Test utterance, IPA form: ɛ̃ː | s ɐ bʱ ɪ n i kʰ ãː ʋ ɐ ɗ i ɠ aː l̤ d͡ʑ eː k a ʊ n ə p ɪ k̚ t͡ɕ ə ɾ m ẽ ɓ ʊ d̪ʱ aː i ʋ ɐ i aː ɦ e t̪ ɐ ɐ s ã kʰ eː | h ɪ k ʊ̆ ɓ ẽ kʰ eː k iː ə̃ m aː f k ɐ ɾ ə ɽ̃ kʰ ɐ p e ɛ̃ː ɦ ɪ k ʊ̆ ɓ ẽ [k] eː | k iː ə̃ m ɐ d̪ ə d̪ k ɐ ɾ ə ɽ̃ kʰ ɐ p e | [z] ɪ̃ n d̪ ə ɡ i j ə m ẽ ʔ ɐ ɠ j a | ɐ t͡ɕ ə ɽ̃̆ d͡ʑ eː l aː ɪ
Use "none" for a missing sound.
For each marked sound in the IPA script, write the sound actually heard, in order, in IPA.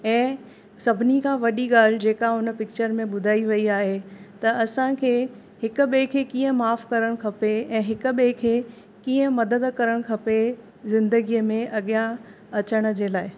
kʰ, z

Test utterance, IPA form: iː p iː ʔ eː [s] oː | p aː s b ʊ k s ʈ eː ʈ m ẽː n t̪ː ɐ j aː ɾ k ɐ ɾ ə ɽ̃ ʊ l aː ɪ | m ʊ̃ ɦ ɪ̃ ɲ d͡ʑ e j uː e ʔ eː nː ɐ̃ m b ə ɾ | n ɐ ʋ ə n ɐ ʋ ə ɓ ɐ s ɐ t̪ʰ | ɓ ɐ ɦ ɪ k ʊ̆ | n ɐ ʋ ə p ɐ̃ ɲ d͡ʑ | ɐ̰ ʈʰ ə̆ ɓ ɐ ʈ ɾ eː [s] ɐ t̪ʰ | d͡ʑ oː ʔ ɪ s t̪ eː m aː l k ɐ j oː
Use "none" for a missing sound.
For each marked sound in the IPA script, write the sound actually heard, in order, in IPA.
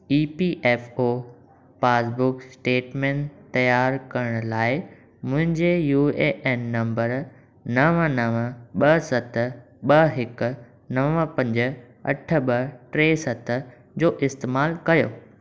f, s

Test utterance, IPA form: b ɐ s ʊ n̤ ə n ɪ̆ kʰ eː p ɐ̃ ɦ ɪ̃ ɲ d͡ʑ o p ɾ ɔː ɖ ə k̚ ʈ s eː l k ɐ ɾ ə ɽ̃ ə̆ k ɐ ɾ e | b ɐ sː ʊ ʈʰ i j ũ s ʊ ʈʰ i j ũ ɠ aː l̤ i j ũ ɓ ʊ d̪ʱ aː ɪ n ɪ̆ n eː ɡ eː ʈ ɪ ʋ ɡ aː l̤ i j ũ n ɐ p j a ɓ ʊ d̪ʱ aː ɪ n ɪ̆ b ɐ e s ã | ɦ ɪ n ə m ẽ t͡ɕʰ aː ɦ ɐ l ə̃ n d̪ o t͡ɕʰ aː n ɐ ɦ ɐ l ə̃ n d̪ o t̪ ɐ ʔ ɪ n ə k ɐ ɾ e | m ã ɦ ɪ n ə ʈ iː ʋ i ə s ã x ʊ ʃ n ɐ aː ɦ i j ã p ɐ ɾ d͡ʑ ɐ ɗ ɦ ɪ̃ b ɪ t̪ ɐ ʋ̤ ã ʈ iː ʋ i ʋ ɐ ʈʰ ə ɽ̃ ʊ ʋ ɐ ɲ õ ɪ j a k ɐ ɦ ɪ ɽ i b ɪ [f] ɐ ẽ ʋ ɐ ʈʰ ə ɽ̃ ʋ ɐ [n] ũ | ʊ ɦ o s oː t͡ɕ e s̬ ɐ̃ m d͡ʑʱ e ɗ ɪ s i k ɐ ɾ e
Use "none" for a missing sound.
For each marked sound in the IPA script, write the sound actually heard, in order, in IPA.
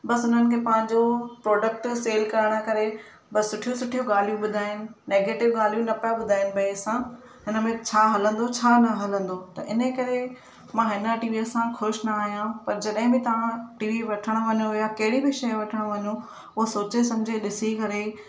ʃ, ɲ

